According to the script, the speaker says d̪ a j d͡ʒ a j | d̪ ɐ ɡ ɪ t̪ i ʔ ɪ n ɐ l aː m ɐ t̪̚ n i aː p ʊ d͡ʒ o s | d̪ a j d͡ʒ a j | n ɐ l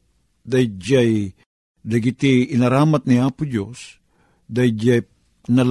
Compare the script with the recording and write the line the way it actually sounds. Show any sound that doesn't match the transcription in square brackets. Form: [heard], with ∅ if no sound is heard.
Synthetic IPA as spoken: d̪ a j d͡ʒ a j | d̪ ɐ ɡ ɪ t̪ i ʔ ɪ n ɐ [ɾ] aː m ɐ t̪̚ n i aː p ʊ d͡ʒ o s | d̪ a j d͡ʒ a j | n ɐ l